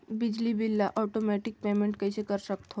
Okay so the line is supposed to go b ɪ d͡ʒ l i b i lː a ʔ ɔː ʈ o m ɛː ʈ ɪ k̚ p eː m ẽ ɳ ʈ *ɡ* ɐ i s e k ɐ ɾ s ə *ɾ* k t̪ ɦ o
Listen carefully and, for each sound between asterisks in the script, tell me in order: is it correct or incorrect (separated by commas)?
incorrect, incorrect